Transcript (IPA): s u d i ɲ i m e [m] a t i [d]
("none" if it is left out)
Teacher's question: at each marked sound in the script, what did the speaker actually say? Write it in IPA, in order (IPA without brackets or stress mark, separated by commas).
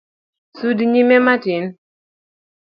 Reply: m, n